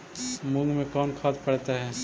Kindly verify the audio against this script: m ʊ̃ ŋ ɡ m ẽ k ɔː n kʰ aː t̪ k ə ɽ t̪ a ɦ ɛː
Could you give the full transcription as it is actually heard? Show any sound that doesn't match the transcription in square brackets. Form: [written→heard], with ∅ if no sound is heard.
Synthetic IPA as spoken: m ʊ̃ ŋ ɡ m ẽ k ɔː n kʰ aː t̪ [k→p] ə ɽ t̪ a ɦ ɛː